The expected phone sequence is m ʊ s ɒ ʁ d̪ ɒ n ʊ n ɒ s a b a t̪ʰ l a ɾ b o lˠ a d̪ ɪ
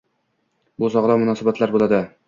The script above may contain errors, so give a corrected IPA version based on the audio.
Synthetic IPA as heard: b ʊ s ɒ ʁ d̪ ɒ m ʊ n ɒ s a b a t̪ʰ l a ɾ b o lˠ a d̪ ɪ